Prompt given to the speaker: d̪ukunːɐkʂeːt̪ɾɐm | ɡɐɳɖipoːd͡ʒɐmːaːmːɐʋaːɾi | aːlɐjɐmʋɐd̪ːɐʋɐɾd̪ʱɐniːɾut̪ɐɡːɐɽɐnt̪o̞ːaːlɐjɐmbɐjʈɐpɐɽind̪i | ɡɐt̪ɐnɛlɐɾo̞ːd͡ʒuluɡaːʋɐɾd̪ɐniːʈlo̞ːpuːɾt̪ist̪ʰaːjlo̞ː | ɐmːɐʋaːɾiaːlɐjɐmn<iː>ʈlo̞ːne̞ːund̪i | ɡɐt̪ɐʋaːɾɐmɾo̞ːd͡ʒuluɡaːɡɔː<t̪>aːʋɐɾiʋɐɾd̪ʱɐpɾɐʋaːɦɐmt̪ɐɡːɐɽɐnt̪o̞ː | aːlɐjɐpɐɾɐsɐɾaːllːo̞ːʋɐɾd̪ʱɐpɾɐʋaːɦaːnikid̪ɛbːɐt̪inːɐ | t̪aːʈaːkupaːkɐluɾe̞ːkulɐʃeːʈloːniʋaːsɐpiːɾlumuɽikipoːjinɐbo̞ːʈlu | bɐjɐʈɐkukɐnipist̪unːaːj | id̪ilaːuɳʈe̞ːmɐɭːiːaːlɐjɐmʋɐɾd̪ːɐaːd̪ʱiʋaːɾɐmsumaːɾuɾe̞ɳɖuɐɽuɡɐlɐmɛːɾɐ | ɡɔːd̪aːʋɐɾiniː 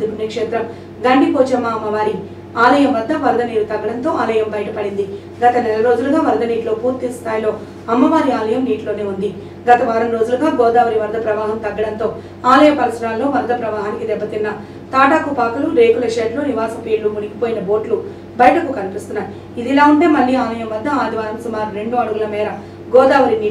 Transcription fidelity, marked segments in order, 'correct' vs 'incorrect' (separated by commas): correct, incorrect